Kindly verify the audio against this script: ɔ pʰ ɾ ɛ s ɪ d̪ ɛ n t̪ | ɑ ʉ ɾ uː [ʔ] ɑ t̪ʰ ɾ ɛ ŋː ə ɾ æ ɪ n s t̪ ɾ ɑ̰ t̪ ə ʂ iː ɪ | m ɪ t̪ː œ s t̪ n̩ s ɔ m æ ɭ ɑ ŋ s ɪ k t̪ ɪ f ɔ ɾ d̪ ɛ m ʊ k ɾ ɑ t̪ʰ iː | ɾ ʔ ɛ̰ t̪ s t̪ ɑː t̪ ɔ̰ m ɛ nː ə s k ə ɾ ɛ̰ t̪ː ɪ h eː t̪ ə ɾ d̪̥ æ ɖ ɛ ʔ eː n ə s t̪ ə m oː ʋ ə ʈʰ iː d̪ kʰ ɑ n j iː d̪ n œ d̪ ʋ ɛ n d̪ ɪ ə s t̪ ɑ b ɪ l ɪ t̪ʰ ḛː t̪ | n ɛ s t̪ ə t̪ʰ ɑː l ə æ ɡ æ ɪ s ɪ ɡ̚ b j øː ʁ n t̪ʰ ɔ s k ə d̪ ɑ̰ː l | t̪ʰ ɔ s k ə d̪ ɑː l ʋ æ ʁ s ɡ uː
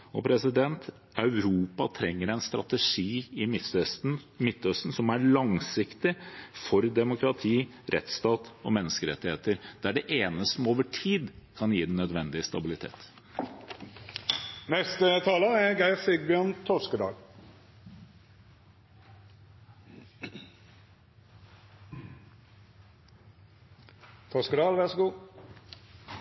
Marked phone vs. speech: incorrect: p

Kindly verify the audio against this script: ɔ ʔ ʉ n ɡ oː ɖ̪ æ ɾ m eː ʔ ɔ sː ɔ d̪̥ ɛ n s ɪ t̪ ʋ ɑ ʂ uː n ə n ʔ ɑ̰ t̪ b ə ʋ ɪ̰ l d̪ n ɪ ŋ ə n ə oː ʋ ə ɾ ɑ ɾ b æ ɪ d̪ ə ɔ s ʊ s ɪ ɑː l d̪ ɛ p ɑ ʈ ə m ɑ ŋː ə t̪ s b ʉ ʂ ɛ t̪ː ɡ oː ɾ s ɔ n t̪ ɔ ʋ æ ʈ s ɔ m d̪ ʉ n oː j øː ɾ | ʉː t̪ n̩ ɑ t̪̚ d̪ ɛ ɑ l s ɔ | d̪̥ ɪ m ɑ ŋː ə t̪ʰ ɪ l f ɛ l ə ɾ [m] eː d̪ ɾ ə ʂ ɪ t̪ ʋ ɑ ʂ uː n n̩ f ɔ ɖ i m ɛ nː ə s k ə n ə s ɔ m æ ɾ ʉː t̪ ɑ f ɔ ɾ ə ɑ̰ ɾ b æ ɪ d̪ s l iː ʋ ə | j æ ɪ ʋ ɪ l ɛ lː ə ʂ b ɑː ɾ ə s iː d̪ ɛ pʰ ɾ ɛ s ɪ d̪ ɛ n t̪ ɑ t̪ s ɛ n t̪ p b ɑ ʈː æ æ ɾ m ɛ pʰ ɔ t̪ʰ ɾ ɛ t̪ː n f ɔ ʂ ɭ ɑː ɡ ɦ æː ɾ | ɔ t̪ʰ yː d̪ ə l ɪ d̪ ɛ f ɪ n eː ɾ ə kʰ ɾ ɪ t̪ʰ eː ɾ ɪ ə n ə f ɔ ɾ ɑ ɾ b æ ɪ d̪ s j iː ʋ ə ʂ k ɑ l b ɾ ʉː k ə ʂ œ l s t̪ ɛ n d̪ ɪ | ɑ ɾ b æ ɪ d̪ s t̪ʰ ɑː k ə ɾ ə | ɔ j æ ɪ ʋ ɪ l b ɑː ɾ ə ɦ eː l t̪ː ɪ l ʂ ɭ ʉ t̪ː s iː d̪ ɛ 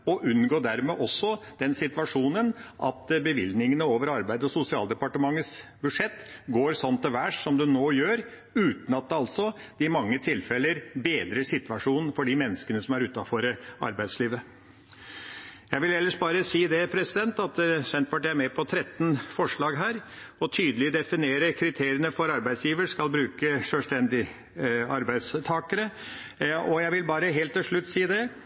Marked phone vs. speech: incorrect: b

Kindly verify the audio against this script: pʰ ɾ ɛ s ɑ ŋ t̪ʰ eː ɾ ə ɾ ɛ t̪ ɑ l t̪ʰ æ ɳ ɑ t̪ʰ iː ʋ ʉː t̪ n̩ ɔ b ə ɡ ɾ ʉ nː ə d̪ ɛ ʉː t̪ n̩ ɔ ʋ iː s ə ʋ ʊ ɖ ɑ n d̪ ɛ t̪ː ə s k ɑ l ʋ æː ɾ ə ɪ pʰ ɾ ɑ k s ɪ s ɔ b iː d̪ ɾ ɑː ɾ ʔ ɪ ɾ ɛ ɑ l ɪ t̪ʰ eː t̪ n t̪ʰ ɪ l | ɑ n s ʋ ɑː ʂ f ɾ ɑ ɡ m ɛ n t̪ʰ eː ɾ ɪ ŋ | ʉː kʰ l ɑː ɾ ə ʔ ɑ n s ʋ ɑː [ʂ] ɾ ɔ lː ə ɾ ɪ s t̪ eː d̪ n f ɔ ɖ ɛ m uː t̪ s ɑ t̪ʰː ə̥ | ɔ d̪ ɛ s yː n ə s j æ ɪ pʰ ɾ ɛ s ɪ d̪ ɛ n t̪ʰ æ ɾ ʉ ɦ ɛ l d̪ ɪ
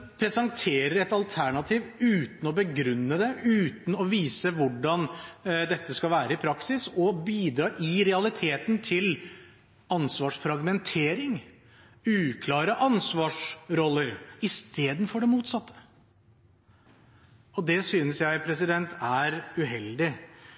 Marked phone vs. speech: correct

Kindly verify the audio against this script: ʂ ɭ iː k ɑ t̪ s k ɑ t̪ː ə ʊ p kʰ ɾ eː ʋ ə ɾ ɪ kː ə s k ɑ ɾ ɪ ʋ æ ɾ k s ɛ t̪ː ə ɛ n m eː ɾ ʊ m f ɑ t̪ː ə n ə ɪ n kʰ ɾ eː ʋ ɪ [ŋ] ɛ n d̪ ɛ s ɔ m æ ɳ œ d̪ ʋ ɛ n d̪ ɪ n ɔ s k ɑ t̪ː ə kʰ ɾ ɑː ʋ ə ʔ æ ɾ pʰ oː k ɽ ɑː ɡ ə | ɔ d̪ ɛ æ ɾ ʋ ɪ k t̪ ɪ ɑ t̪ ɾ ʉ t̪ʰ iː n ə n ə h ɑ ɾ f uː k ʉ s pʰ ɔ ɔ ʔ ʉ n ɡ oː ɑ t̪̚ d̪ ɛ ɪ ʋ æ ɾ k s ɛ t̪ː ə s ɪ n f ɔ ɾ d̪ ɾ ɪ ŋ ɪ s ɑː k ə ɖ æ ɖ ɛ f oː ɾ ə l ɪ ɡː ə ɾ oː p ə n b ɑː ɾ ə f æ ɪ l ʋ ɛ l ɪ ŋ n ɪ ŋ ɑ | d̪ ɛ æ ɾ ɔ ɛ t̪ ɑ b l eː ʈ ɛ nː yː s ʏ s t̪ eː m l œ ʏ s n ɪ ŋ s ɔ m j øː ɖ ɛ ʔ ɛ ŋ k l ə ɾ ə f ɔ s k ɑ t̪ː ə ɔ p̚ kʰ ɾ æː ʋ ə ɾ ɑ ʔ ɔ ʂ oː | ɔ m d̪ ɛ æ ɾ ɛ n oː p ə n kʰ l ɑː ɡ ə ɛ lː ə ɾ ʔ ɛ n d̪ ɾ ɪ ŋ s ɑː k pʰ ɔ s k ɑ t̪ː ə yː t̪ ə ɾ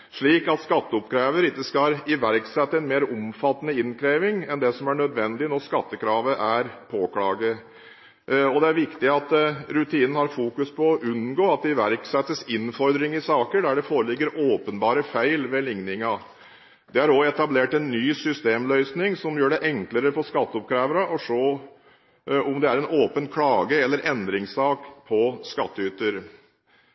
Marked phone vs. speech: correct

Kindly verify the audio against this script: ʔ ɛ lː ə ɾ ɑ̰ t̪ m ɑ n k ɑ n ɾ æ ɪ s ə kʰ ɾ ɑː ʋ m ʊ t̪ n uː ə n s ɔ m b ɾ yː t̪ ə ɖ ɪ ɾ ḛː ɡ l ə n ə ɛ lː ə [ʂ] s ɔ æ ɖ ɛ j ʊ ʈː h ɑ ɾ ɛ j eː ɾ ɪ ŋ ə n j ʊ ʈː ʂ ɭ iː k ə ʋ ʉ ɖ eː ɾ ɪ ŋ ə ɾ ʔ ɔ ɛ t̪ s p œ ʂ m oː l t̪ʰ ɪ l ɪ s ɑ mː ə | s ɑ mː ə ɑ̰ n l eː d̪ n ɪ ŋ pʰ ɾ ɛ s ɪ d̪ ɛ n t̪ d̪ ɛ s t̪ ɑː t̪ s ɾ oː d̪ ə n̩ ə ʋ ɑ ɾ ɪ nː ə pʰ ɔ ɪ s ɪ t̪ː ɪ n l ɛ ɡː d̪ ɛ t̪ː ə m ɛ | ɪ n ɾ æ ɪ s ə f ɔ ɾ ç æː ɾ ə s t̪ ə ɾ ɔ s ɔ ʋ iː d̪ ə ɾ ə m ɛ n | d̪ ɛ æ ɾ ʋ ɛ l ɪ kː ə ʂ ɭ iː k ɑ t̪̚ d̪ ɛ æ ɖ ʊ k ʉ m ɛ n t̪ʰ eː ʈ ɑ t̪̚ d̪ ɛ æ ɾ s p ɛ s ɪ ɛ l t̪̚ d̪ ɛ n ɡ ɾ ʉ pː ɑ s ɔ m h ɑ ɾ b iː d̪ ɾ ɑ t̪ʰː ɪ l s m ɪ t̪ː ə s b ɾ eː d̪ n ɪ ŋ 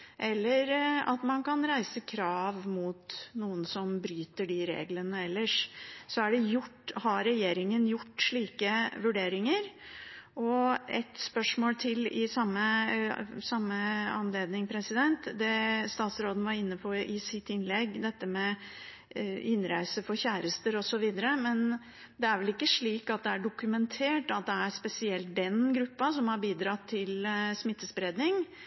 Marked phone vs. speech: correct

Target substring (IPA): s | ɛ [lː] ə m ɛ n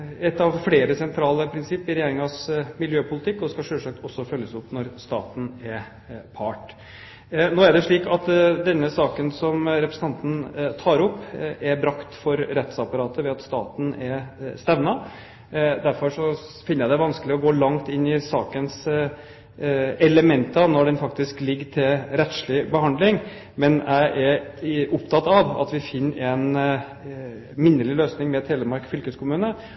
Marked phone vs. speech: incorrect: l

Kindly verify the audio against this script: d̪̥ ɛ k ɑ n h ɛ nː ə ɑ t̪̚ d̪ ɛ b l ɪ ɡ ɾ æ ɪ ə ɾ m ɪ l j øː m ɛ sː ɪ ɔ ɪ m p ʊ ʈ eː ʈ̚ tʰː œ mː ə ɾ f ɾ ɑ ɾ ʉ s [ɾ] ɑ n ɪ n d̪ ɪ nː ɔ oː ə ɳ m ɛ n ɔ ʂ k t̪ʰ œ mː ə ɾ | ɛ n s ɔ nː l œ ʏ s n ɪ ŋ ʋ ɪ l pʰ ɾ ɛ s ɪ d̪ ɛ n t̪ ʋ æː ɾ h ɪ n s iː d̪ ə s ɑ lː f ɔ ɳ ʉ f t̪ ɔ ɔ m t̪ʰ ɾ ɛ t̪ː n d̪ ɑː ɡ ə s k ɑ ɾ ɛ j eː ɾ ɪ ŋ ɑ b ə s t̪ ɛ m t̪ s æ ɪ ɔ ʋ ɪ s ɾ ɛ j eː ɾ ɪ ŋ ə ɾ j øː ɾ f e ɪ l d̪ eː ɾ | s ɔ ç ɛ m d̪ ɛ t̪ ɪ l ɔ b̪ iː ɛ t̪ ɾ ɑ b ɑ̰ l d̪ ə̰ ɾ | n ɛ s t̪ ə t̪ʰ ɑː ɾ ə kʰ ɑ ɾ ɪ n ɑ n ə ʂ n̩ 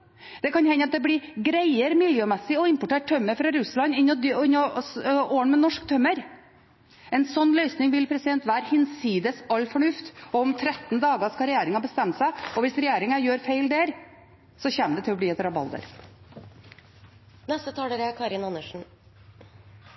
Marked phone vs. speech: incorrect: l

